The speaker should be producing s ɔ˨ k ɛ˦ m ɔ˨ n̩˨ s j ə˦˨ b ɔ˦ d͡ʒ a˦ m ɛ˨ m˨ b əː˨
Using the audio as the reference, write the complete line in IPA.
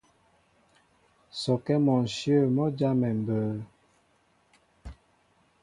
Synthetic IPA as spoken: s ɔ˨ k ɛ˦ m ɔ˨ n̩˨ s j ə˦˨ m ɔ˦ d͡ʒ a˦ m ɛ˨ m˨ b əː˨

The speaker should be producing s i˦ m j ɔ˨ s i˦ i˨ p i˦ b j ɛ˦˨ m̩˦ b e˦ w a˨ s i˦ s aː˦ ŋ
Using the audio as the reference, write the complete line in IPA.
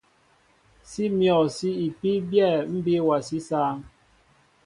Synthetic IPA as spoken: s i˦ m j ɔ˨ s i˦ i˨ p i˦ b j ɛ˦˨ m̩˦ b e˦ w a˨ s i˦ s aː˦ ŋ

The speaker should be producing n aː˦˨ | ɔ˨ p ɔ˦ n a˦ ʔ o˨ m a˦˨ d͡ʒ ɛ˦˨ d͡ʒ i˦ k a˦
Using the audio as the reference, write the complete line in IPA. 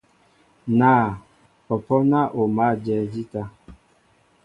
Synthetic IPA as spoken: n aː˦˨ | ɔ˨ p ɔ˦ n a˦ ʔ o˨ m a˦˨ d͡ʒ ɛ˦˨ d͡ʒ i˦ t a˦

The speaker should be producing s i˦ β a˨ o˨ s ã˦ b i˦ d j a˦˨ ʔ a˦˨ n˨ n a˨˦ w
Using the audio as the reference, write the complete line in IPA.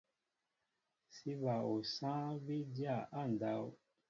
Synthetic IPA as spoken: s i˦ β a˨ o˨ s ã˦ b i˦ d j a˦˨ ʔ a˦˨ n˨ d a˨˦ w

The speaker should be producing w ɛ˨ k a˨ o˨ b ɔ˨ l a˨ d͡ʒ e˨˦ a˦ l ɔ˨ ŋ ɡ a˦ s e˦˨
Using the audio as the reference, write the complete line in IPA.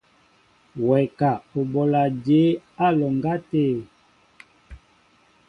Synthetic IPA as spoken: w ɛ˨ k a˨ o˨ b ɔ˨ l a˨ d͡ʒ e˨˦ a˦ l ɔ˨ ŋ ɡ a˦ t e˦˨

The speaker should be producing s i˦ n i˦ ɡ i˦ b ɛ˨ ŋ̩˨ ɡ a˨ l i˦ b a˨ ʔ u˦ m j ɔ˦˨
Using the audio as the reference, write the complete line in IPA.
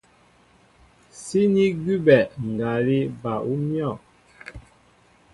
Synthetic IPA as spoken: s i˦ n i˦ ɡ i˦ b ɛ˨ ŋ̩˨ ɡ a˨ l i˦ b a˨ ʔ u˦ m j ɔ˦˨

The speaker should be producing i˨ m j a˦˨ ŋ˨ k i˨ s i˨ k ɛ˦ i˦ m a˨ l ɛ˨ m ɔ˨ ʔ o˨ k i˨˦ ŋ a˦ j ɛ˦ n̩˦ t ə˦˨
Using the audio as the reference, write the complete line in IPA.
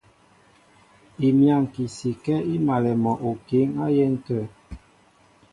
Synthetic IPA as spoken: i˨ m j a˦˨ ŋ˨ k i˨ s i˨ k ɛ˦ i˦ m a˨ l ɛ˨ m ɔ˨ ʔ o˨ k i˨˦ ŋ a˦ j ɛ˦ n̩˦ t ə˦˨

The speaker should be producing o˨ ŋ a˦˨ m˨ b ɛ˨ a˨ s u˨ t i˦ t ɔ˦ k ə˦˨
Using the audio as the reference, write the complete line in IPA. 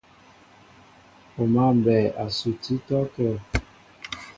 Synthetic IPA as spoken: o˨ m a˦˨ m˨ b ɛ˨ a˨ s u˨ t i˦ t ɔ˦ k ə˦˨

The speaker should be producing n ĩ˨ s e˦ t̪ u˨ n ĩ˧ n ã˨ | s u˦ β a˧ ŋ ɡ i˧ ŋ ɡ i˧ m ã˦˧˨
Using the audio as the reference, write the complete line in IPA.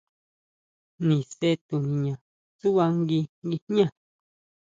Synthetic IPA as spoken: n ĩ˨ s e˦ t̪ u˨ n ĩ˧ ɲ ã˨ | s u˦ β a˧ ŋ ɡ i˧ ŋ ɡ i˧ ɲ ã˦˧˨

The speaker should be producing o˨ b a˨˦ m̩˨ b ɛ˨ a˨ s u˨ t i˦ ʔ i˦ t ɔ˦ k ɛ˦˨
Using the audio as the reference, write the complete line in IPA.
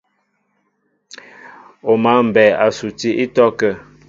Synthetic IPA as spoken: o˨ m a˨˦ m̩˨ b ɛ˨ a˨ s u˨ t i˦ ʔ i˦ t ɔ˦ k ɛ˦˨

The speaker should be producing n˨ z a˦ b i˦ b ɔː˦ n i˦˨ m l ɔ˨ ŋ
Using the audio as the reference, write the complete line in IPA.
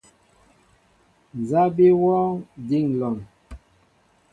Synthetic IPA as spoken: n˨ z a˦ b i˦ w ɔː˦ d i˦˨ ŋ l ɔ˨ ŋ

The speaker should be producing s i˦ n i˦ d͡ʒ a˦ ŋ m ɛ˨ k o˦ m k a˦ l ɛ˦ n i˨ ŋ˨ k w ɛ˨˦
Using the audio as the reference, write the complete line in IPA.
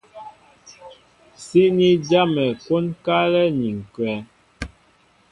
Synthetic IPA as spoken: s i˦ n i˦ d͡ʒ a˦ m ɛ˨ k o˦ n k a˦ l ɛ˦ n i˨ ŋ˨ k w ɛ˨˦

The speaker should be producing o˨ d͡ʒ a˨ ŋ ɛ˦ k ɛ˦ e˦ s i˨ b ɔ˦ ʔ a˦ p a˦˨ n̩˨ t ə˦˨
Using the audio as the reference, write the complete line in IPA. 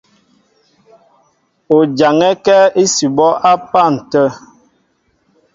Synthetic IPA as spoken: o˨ d͡ʒ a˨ ŋ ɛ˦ k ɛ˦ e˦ s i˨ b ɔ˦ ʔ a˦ p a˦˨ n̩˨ t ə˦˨

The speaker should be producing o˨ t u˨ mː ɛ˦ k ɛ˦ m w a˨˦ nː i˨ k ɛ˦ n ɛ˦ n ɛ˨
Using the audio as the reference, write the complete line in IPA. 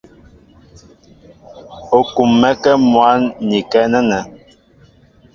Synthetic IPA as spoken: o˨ k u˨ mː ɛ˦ k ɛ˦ m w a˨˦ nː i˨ k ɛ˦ n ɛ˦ n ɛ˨

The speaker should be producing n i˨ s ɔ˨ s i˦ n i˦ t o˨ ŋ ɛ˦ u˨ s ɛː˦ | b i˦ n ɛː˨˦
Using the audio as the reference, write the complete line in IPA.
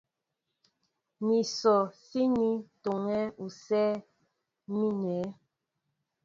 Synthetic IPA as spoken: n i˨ s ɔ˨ s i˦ n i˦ t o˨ ŋ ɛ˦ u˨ s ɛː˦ | m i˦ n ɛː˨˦

